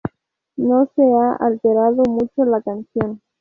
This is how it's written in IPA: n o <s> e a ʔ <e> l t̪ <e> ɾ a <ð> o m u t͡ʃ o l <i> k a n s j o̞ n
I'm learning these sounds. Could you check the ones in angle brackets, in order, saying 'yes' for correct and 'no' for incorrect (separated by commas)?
yes, no, yes, yes, no